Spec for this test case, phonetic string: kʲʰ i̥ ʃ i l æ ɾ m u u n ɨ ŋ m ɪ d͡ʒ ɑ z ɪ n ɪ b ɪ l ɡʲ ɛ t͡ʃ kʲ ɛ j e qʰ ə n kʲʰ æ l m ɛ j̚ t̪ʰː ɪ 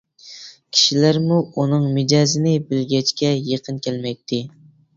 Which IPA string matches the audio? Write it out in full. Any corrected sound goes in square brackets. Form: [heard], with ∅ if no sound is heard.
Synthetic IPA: kʲʰ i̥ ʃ i l æ ɾ m u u n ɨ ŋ m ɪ d͡ʒ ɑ z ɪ n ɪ b ɪ l ɡʲ ɛ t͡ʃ kʲ ɛ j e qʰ ə n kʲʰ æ l m ɛ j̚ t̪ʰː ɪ

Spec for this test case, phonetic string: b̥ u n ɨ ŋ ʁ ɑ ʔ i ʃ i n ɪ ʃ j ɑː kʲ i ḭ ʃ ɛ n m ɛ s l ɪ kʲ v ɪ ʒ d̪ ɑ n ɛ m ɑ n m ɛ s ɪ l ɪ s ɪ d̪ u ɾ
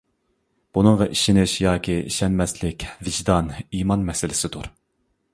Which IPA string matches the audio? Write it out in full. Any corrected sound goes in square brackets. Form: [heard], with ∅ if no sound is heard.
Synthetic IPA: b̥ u n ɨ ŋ ʁ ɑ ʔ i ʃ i n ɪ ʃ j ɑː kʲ i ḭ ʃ ɛ n m ɛ s l ɪ kʲ v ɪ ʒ d̪ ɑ n [i] m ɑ n m ɛ s ɪ l ɪ s ɪ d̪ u ɾ

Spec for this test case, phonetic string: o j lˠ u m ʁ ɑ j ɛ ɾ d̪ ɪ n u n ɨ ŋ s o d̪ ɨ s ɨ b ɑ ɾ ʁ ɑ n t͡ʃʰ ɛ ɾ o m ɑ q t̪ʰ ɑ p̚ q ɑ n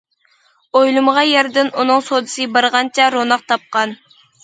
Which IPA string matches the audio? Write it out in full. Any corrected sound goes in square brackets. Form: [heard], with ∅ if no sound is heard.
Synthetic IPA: o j lˠ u m ʁ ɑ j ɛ ɾ d̪ ɪ n u n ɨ ŋ s o d̪ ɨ s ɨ b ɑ ɾ ʁ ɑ n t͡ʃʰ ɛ ɾ o [n] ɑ q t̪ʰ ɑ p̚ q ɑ n

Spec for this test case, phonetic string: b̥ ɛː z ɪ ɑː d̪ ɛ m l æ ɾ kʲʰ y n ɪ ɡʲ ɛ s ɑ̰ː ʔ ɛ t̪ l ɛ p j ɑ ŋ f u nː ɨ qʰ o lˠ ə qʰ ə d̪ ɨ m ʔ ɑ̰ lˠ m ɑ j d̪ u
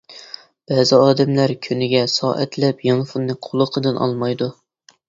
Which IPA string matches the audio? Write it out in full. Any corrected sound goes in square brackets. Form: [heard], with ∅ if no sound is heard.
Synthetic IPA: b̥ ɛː z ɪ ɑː d̪ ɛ m l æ ɾ kʲʰ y n ɪ ɡʲ ɛ s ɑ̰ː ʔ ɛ t̪ l ɛ p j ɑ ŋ f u nː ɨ qʰ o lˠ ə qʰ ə d̪ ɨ [n] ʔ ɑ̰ lˠ m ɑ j d̪ u

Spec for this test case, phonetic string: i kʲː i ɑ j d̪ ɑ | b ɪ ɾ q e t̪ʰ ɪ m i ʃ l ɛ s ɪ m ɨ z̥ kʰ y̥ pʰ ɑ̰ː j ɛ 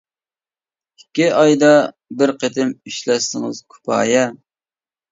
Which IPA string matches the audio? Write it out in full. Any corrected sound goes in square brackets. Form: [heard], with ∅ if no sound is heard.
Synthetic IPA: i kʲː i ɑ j d̪ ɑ | b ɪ ɾ q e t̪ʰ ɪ m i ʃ l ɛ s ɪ [ŋ] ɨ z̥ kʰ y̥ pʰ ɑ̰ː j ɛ

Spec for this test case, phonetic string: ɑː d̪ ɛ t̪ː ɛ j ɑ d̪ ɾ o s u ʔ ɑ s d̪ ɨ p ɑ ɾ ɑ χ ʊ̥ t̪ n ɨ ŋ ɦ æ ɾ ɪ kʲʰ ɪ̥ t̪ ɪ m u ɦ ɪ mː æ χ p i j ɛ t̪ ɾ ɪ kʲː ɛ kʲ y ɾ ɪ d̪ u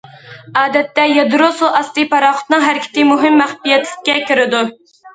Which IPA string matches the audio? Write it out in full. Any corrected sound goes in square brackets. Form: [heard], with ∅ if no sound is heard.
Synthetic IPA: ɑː d̪ ɛ t̪ː ɛ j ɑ d̪ ɾ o s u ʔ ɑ s [t̪] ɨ p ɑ ɾ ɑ χ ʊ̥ t̪ n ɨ ŋ ɦ æ ɾ ɪ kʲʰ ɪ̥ t̪ ɪ m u ɦ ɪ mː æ χ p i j ɛ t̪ [l] ɪ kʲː ɛ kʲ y ɾ ɪ d̪ u

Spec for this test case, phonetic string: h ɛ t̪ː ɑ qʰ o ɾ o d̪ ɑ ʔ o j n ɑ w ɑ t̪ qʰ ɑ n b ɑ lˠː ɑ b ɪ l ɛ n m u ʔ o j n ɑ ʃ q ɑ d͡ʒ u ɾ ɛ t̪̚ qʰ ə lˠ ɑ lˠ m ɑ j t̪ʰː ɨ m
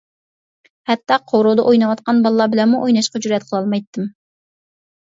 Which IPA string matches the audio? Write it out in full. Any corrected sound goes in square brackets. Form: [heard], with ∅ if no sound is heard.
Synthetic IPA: h ɛ t̪ː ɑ qʰ o ɾ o d̪ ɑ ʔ o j n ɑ w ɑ t̪ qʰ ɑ n b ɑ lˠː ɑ b ɪ l ɛ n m u ʔ o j n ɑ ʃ q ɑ d͡ʒ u ɾ ɛ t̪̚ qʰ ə lˠ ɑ lˠ m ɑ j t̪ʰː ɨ m

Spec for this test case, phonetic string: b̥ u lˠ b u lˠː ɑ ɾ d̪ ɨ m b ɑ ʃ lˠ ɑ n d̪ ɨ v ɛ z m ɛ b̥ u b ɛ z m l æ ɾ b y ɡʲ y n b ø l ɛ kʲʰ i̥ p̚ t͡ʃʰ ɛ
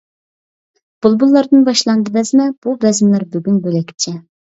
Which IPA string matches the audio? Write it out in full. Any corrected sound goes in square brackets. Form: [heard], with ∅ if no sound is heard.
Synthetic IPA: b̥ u lˠ b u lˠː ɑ ɾ d̪ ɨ [n] b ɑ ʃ lˠ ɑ n d̪ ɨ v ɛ z m ɛ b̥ u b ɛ z m l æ ɾ b y ɡʲ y n b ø l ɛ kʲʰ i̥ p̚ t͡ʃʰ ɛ

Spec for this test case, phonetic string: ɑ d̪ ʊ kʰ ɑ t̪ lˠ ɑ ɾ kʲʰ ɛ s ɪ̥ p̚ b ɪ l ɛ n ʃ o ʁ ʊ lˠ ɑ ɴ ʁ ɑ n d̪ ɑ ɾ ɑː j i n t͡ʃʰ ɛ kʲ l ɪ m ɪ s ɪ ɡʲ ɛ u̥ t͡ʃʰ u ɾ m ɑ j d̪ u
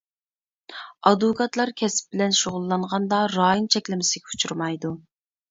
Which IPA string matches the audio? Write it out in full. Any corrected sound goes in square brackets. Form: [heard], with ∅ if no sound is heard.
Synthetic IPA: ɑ d̪ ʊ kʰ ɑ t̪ lˠ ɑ ɾ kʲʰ ɛ s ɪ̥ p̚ b ɪ l ɛ n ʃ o ʁ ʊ [lˠː] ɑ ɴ ʁ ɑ n d̪ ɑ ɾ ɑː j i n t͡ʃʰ ɛ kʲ l ɪ m ɪ s ɪ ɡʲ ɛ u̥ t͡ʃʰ u ɾ m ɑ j d̪ u

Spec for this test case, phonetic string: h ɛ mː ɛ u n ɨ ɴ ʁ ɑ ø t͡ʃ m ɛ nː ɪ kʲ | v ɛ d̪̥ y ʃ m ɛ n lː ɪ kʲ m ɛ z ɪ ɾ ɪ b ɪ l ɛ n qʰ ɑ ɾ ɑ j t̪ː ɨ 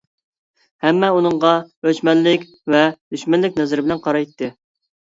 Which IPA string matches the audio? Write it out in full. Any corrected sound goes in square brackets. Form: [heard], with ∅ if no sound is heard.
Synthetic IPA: h ɛ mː ɛ u n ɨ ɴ ʁ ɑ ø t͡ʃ m ɛ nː ɪ kʲ | v ɛ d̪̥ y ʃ m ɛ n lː ɪ kʲ [n] ɛ z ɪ ɾ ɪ b ɪ l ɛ n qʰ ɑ ɾ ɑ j t̪ː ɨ

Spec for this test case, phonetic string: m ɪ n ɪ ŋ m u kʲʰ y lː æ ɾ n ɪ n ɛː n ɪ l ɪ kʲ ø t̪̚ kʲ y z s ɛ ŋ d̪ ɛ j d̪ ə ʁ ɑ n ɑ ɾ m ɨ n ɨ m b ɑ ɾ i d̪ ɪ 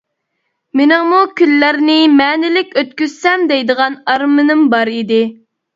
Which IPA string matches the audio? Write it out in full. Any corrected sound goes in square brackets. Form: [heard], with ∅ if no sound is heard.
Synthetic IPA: m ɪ n ɪ ŋ m u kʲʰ y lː æ ɾ n ɪ [m] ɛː n ɪ l ɪ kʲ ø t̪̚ kʲ y z s ɛ [m] d̪ ɛ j d̪ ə ʁ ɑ n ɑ ɾ m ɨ n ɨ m b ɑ ɾ i d̪ ɪ

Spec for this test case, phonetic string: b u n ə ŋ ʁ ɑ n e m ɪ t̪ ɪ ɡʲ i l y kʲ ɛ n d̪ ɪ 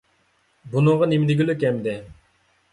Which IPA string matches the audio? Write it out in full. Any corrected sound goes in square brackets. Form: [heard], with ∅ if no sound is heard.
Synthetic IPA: b u n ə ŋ ʁ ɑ n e m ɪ [d̪] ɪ ɡʲ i l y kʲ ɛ [m] d̪ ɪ

